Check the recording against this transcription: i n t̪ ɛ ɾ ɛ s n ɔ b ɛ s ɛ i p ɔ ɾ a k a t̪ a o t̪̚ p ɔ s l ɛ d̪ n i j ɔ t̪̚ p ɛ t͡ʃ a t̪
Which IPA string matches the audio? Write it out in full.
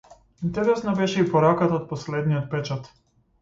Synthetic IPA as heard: i n t̪ ɛ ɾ ɛ s n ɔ b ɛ ʃ ɛ i p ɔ ɾ a k a t̪ a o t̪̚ p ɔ s l ɛ d̪ n i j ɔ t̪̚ p ɛ t͡ʃ a t̪

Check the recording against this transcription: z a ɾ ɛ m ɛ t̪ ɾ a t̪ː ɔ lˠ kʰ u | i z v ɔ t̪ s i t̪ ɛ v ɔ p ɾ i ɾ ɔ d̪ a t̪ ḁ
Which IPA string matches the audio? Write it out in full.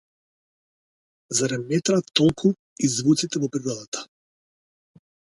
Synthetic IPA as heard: z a ɾ ɛ m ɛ t̪ ɾ a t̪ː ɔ lˠ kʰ u | i z v u t̪ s i t̪ ɛ v ɔ p ɾ i ɾ ɔ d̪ a t̪ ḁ

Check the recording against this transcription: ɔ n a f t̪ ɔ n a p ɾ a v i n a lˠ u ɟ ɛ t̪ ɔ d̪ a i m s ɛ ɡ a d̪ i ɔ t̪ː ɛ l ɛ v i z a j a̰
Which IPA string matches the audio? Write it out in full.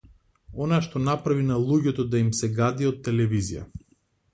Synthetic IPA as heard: ɔ n a ʃ t̪ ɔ n a p ɾ a v i n a lˠ u ɟ ɛ t̪ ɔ d̪ a i m s ɛ ɡ a d̪ i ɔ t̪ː ɛ l ɛ v i z i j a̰

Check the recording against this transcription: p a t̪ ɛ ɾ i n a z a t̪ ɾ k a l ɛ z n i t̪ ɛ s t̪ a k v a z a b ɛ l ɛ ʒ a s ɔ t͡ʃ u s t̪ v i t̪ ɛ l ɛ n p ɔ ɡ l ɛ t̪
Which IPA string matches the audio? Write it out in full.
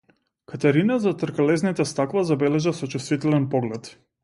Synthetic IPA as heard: k a t̪ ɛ ɾ i n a z a t̪ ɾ k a l ɛ z n i t̪ ɛ s t̪ a k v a z a b ɛ l ɛ ʒ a s ɔ t͡ʃ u s t̪ v i t̪ ɛ l ɛ n p ɔ ɡ l ɛ t̪

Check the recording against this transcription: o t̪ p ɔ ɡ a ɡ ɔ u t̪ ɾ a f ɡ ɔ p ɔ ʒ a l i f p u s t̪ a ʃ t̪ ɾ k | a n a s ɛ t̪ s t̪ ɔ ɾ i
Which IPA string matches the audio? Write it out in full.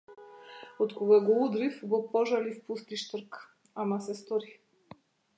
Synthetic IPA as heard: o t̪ k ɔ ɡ a ɡ ɔ u d̪ ɾ i f ɡ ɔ p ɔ ʒ a l i f p u s t̪ i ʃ t̪ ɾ k | a m a s ɛ s t̪ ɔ ɾ i

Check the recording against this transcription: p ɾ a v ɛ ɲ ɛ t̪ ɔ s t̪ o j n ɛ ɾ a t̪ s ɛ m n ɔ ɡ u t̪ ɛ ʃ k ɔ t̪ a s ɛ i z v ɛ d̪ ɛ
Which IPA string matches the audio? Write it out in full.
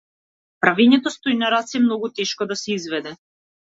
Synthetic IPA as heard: p ɾ a v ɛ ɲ ɛ t̪ ɔ s t̪ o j n a ɾ a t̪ s ɛ m n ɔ ɡ u t̪ ɛ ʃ k ɔ d̪ a s ɛ i z v ɛ d̪ ɛ

